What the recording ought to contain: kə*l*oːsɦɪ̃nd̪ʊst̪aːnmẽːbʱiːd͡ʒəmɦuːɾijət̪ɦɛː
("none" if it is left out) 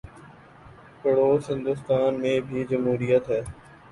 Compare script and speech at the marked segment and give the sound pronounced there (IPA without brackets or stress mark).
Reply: ɽ